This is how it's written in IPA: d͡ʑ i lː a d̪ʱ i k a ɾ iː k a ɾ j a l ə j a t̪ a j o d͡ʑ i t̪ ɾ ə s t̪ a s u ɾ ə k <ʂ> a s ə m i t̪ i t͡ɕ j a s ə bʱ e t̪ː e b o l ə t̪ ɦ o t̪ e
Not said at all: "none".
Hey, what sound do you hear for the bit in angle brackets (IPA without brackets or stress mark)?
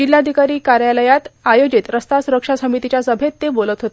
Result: ʂ